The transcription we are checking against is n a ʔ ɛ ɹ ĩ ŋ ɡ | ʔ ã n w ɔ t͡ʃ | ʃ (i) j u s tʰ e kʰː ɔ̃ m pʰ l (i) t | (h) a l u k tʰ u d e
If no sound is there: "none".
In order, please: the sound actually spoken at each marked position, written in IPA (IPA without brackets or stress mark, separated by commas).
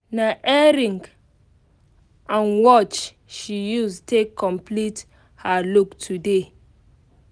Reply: i, i, h